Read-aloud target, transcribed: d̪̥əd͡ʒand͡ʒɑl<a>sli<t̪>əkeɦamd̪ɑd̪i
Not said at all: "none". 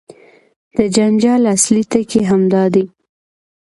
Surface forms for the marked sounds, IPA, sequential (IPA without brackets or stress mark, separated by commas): a, t̪